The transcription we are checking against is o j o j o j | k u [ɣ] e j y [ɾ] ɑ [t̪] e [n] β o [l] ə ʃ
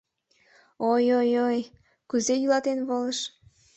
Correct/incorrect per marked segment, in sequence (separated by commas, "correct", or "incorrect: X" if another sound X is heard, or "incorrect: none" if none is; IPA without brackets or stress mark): incorrect: z, incorrect: l, correct, correct, correct